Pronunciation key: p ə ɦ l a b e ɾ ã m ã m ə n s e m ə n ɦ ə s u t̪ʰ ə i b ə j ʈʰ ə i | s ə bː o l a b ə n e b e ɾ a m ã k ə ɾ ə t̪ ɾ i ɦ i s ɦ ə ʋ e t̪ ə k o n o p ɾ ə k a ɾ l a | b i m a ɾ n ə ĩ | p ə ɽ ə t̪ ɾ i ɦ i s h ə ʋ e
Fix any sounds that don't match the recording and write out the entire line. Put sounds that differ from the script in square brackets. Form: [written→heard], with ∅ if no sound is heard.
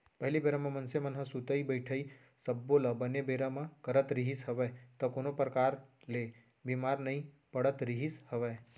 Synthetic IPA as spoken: p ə ɦ l [a→i] b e ɾ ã m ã m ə n s e m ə n ɦ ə s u [t̪ʰ→t̪] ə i b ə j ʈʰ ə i | s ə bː o l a b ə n e b e ɾ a m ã k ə ɾ ə t̪ ɾ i ɦ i s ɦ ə ʋ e t̪ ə k o n o p ɾ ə k a ɾ l [a→e] | b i m a ɾ n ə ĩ | p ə ɽ ə t̪ ɾ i ɦ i s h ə ʋ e